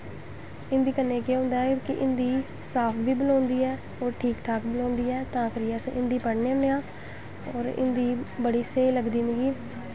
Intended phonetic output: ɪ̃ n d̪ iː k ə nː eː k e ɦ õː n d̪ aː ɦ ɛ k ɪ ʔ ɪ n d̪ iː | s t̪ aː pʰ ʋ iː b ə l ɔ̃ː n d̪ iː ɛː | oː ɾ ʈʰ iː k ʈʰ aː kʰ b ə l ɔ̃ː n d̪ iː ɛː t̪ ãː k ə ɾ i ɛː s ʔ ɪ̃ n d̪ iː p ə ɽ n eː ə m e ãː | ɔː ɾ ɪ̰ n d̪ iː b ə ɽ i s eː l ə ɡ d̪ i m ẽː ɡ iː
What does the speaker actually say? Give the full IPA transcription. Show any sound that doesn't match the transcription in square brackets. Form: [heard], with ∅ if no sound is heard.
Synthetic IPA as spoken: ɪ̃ n d̪ iː k ə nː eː k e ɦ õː n d̪ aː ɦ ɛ k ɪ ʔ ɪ n d̪ iː | s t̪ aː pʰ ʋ iː b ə l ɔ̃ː n d̪ iː ɛː | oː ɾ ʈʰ iː k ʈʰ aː [k] b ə l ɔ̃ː n d̪ iː ɛː t̪ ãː k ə ɾ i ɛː s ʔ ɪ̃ n d̪ iː p ə ɽ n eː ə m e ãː | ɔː ɾ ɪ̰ n d̪ iː b ə ɽ [iː] s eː l ə ɡ d̪ [iː] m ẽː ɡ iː